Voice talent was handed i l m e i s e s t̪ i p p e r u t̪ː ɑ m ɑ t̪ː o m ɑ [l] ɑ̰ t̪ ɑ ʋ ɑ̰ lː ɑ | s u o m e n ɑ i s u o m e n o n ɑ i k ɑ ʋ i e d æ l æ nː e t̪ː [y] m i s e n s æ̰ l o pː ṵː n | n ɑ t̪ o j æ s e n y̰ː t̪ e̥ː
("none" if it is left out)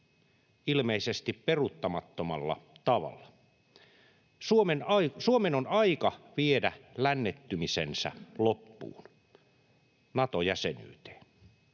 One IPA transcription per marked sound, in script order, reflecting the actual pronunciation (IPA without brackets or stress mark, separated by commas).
lː, y